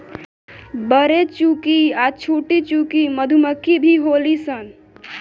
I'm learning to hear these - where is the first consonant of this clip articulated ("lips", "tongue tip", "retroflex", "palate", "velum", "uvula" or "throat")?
lips